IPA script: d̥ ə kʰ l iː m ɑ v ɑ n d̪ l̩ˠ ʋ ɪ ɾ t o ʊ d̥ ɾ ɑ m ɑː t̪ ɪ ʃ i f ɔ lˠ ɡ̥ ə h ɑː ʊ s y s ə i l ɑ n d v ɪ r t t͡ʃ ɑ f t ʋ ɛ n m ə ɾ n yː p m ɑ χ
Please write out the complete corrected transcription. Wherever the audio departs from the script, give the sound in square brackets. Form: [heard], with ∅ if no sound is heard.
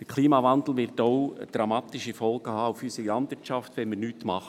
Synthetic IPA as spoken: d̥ ə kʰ l iː m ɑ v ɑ n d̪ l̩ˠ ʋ ɪ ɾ t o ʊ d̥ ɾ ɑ m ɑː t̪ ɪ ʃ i f ɔ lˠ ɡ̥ ə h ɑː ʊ [f] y s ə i l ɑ n d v ɪ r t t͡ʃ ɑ f t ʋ ɛ n m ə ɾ n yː [t] m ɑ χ